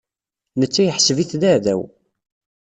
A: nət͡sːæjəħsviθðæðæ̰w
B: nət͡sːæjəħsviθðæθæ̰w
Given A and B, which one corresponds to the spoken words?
A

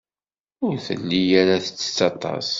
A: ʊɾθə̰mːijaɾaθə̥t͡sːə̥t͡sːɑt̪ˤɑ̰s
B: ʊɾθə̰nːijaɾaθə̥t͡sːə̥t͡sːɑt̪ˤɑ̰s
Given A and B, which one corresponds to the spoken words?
B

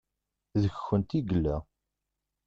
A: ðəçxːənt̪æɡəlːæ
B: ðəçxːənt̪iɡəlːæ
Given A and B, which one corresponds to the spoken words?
B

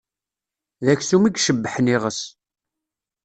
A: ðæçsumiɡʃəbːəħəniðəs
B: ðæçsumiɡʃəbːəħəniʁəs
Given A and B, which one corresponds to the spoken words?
B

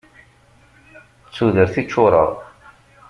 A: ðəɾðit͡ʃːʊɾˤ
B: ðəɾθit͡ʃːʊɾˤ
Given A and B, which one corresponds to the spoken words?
B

